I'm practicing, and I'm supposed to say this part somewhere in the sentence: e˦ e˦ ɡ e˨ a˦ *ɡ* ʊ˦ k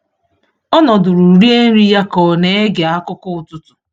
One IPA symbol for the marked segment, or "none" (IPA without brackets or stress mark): k